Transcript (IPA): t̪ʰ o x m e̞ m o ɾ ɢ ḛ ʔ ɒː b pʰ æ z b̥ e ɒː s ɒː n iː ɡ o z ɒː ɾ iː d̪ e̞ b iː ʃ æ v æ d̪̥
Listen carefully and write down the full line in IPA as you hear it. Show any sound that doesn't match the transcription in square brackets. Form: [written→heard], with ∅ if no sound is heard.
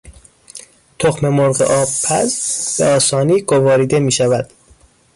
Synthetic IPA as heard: t̪ʰ o x m e̞ m o ɾ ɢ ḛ ʔ ɒː b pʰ æ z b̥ e ɒː s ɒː n iː ɡ o [z→v] ɒː ɾ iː d̪ e̞ [b→m] iː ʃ æ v æ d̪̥

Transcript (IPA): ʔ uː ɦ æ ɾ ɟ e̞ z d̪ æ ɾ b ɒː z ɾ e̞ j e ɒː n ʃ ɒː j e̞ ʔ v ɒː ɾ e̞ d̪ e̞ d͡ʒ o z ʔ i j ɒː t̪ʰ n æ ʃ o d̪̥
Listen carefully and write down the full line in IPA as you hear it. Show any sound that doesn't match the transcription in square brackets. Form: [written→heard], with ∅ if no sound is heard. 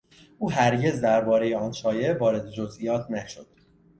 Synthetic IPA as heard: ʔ uː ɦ æ ɾ ɟ e̞ z d̪ æ ɾ b ɒː [z→∅] ɾ e̞ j e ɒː n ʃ ɒː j e̞ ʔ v ɒː ɾ e̞ d̪ e̞ d͡ʒ o z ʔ i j ɒː t̪ʰ n æ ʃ o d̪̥

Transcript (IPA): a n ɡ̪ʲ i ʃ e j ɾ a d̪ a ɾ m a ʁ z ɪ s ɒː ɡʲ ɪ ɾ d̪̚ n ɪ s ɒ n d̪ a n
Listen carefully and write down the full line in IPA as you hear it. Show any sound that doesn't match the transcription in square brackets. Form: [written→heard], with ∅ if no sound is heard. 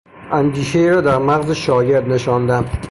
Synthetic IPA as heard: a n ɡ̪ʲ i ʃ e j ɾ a d̪ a ɾ m a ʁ z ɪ [s→ʃ] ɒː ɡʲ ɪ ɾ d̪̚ n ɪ [s→ʃ] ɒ n d̪ a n

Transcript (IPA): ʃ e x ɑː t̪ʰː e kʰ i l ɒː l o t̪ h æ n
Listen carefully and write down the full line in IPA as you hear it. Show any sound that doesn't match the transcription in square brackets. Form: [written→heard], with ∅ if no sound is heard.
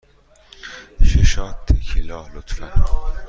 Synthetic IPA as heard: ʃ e [x→ʃ] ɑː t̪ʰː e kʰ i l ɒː l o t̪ [h→f] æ n

